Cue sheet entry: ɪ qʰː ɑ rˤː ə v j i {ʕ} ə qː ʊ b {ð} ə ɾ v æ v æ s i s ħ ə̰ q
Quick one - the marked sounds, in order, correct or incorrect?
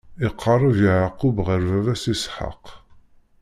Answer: correct, incorrect: ʁ

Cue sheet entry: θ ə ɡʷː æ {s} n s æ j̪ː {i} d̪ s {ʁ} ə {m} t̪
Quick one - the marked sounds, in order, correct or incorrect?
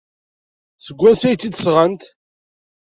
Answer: incorrect: none, correct, correct, incorrect: n

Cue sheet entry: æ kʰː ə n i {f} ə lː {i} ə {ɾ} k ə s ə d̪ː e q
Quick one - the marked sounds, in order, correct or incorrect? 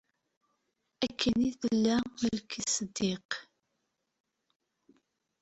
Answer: incorrect: θ, incorrect: æ, incorrect: l

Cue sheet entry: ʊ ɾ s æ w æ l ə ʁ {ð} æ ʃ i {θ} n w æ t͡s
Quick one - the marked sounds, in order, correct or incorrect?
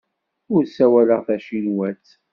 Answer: incorrect: θ, incorrect: none

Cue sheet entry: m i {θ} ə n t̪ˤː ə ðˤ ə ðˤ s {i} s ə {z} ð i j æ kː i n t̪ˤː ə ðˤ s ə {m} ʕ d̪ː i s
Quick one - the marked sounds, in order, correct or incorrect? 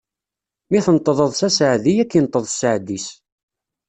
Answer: correct, incorrect: æ, incorrect: ʕ, incorrect: none

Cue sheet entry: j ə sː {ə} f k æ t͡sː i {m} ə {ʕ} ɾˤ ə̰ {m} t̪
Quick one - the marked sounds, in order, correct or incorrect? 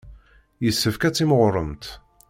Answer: correct, correct, incorrect: ʁ, correct

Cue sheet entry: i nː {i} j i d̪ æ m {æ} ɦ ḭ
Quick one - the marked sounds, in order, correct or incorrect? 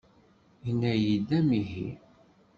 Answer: incorrect: æ, incorrect: i

